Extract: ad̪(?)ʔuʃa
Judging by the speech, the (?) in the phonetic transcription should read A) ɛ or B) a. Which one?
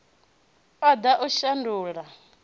B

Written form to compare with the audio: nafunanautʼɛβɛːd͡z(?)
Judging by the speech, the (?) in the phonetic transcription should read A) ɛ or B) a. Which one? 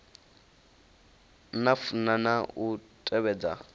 B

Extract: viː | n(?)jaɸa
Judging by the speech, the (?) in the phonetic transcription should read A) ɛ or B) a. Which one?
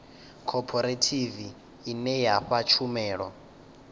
A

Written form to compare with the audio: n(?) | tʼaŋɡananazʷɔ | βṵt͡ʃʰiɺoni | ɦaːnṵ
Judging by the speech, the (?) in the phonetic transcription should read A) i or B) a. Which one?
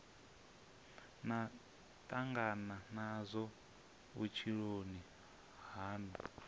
B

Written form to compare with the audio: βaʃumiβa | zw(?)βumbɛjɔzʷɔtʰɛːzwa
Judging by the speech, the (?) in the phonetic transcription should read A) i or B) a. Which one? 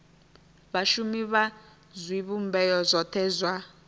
A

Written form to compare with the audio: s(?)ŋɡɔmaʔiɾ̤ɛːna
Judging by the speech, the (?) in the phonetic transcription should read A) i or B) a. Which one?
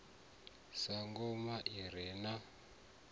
B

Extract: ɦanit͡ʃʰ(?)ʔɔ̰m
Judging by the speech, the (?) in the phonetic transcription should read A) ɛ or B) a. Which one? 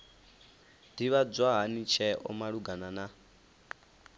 A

